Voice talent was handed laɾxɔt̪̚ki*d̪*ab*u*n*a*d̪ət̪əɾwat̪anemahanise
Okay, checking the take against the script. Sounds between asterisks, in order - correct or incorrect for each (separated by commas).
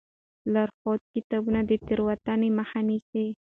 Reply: incorrect, correct, correct